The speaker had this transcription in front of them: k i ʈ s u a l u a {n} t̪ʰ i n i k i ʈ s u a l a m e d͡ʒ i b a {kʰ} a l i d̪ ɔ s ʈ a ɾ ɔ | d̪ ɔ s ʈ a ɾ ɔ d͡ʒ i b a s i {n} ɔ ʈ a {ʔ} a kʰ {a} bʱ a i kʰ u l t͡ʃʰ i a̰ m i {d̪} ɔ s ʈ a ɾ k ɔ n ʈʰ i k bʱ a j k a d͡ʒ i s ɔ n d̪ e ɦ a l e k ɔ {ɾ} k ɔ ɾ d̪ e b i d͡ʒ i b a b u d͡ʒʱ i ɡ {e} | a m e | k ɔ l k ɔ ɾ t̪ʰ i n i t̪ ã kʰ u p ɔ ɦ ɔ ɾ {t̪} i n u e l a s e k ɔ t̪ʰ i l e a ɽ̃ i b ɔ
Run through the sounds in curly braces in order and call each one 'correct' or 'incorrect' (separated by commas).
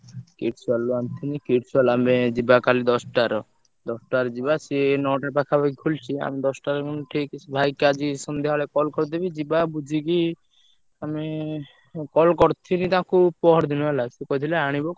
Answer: correct, incorrect, correct, incorrect, correct, correct, incorrect, incorrect, incorrect